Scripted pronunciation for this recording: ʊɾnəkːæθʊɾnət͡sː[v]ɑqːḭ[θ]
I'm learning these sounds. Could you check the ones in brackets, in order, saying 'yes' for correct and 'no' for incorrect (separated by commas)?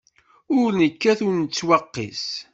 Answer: no, no